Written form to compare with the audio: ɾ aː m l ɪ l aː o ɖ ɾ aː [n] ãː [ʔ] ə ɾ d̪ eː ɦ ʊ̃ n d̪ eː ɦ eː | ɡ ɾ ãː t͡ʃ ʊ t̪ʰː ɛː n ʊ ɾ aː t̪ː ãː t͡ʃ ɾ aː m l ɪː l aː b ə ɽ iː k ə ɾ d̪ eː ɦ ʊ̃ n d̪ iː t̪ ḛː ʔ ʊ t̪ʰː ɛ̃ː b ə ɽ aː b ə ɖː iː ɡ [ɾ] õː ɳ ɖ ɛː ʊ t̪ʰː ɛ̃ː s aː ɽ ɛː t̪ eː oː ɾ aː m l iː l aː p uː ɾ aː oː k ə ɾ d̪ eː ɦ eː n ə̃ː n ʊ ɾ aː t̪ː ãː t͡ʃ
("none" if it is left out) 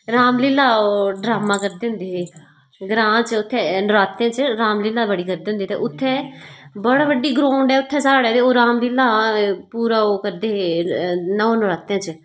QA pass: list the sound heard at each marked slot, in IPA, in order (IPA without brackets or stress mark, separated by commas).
m, k, ɾ